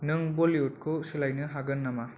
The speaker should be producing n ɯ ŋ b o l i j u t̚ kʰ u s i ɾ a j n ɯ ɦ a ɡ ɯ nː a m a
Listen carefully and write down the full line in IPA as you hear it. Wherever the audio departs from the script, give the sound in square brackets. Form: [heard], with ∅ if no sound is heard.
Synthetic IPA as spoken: n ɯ ŋ b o l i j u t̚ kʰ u s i [l] a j n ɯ ɦ a ɡ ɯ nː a m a